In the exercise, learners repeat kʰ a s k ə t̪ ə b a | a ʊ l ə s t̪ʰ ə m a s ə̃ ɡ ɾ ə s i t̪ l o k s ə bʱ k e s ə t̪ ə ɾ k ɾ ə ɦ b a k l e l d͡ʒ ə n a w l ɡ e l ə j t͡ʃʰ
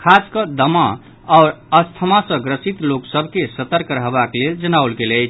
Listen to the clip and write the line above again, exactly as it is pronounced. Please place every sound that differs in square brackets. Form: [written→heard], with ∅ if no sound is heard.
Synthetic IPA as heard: kʰ a s k ə [t̪→d̪] ə [b→m] a | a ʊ [l→ɾ] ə s t̪ʰ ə m a s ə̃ ɡ ɾ ə s i t̪ l o k s ə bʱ k e s ə t̪ ə ɾ k ɾ ə ɦ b a k l e l d͡ʒ ə n a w l ɡ e l ə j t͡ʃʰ